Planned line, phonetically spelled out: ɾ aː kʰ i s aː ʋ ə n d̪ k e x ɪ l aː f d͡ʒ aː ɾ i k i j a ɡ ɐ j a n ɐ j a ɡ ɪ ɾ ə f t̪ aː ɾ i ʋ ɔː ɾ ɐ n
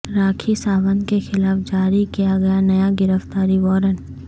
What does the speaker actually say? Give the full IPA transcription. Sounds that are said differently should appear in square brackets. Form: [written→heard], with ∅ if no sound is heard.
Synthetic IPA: ɾ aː kʰ i s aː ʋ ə n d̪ k e x ɪ l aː f d͡ʒ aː ɾ i k i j a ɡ ɐ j a n ɐ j a ɡ ɪ ɾ ə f t̪ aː ɾ i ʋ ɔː ɾ [ɐ→ə] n

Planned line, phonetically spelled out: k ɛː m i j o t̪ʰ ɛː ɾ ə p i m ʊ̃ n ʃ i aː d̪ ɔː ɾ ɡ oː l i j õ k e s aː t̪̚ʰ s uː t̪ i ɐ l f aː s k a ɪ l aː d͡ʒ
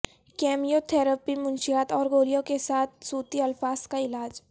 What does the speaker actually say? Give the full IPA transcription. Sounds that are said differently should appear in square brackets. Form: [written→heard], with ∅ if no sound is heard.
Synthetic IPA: k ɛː m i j o t̪ʰ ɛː ɾ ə p i m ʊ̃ n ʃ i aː [d̪→t̪] ɔː ɾ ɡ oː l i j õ k e s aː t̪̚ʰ s uː t̪ i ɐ l f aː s k a ɪ l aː d͡ʒ

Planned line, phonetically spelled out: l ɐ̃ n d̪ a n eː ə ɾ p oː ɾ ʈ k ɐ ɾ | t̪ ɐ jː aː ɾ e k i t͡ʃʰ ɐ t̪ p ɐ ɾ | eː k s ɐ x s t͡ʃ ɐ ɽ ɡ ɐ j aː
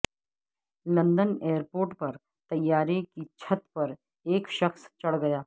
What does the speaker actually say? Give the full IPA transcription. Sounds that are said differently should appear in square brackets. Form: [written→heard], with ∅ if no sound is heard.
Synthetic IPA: l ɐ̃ n d̪ [a→ə] n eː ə ɾ p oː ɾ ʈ [k→p] ɐ ɾ | t̪ ɐ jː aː ɾ e k i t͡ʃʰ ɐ t̪ p ɐ ɾ | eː k [s→ʃ] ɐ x s t͡ʃ ɐ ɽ ɡ ɐ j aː

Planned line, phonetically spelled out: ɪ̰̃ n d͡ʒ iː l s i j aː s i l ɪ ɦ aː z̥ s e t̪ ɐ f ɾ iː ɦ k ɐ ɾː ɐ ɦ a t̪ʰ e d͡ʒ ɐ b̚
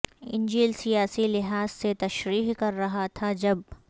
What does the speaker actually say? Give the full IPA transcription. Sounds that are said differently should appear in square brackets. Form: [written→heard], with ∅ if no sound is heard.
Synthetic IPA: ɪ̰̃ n d͡ʒ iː l s i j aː s i l ɪ ɦ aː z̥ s e t̪ ɐ [f→ʃ] ɾ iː ɦ k ɐ ɾː ɐ ɦ a t̪ʰ [e→a] d͡ʒ ɐ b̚

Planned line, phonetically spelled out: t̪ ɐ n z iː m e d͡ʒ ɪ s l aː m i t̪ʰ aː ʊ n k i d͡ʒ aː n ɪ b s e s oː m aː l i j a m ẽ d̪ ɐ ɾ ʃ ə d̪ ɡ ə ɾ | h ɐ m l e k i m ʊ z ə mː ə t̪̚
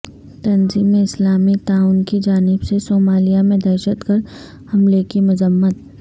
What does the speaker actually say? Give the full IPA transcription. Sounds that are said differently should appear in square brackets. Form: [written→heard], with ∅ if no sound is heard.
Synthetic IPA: t̪ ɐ n z iː m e [d͡ʒ→∅] ɪ s l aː m i [t̪ʰ→t̪] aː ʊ n k i d͡ʒ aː n ɪ b s e s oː m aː l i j a m ẽ d̪ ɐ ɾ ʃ ə [d̪→t̪] ɡ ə ɾ | h ɐ m l e k i m ʊ z ə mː ə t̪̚

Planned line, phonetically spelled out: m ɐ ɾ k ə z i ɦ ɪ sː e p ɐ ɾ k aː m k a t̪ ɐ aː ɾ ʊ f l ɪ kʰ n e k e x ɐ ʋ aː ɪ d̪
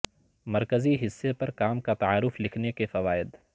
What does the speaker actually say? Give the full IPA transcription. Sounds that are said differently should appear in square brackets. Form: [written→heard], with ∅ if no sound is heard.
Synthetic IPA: m ɐ ɾ k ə z i ɦ ɪ sː e p ɐ ɾ k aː m k a t̪ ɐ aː ɾ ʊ f l ɪ kʰ n e k e [x→f] ɐ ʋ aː ɪ d̪

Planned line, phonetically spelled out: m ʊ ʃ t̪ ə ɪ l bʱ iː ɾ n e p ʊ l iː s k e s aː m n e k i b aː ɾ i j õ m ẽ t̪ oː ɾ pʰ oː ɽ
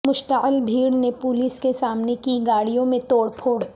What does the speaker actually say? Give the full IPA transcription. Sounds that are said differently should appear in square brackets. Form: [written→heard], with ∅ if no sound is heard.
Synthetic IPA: m ʊ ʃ t̪ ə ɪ l bʱ iː [ɾ→ɽ] n e p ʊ l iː s k e s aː m n e k i [b→ɡ] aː [ɾ→ɽ] i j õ m ẽ t̪ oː [ɾ→ɽ] pʰ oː ɽ

